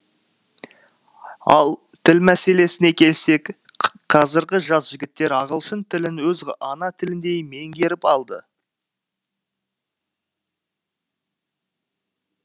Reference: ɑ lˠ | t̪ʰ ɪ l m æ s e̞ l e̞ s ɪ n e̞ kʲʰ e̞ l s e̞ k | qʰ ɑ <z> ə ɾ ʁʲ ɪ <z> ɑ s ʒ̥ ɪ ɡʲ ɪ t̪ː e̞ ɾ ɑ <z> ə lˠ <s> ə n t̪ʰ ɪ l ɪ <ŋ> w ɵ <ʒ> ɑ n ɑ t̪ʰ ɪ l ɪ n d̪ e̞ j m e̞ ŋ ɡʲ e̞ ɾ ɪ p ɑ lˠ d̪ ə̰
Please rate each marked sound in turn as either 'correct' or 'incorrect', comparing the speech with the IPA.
correct, incorrect: ʒ, incorrect: ʁ, incorrect: ʃ, incorrect: n, incorrect: z

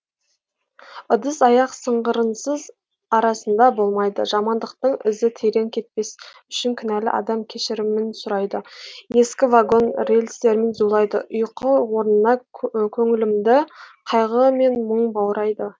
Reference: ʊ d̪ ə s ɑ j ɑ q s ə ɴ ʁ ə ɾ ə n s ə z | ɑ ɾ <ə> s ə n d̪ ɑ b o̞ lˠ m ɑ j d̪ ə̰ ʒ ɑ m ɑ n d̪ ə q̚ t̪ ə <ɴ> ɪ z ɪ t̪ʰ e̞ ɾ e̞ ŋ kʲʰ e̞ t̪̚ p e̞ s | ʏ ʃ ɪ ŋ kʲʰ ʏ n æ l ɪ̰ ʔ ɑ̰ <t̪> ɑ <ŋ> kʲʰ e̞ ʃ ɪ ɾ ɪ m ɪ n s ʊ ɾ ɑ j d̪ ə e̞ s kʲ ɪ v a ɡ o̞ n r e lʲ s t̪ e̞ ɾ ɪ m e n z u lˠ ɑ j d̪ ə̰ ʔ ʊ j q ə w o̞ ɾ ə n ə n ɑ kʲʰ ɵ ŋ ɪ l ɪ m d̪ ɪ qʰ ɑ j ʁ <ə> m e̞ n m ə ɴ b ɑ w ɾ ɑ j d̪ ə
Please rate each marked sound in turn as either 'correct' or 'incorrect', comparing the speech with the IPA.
incorrect: ɑ, correct, incorrect: d̪, incorrect: m, correct

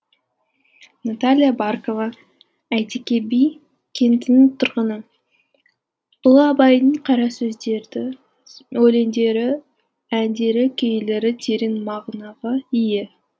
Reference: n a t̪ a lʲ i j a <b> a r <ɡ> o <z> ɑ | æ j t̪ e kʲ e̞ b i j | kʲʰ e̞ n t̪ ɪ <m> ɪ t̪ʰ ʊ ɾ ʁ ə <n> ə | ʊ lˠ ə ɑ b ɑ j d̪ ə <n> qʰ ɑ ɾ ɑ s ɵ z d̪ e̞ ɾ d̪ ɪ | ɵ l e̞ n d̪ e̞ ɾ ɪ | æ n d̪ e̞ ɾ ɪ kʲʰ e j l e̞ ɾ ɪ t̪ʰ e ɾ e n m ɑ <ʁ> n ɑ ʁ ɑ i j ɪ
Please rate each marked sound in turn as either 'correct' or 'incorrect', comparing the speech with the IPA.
correct, incorrect: k, incorrect: v, incorrect: n, correct, incorrect: ɴ, correct

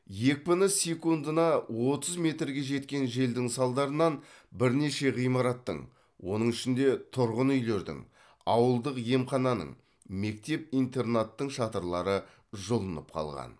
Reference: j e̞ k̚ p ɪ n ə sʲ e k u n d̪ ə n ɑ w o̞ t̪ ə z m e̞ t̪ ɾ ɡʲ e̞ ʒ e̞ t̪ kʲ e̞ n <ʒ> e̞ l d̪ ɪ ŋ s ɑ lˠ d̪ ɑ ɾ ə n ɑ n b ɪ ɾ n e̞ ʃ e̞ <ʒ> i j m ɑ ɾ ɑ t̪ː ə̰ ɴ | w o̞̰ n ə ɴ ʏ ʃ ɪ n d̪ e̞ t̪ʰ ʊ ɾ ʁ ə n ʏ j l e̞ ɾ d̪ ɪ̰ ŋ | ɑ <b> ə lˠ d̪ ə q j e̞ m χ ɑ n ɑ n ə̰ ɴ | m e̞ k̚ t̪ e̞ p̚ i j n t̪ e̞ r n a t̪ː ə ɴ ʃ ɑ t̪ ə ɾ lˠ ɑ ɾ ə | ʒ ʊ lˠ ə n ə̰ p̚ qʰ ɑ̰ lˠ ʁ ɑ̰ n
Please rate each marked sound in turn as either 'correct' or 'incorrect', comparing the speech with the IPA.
correct, incorrect: ʁ, incorrect: w

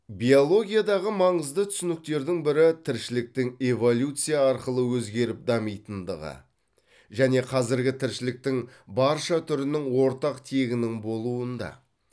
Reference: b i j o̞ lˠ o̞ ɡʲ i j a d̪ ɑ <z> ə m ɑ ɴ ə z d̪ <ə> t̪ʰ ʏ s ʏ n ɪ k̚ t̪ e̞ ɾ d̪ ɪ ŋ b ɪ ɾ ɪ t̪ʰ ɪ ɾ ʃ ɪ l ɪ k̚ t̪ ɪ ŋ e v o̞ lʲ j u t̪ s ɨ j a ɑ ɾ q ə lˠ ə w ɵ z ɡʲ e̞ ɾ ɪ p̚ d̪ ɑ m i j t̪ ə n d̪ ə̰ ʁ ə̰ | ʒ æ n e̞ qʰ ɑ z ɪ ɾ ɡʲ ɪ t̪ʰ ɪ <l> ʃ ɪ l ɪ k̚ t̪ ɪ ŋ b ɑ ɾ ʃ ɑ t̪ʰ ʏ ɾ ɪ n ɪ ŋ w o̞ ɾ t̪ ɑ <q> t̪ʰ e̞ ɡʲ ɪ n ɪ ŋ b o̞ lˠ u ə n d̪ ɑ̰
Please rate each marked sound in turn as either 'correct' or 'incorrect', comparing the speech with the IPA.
incorrect: ʁ, correct, incorrect: ɾ, correct

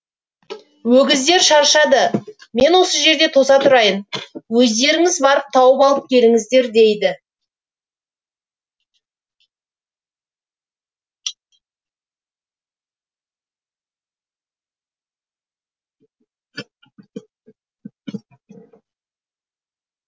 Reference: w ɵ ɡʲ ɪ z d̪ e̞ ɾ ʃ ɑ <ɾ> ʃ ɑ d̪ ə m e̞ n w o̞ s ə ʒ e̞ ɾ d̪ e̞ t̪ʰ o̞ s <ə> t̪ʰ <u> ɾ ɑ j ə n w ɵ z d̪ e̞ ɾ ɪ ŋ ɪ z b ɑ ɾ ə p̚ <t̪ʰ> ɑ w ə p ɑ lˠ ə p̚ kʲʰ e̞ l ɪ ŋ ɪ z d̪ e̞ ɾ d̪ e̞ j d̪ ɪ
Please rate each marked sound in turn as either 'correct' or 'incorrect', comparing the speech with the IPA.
correct, incorrect: ɑ, incorrect: ʊ, correct

